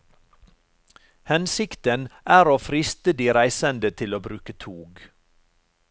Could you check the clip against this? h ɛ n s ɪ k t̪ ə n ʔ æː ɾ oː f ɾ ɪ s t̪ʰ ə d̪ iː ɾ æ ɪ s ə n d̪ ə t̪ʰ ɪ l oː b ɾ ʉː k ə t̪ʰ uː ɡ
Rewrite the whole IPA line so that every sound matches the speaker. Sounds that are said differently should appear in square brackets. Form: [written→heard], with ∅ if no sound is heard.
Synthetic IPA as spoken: h ɛ n s ɪ k t̪ ə n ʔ æː ɾ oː f ɾ ɪ s [t̪ʰ→t̪] ə d̪ iː ɾ æ ɪ s ə n d̪ ə t̪ʰ ɪ l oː b ɾ ʉː k ə t̪ʰ uː ɡ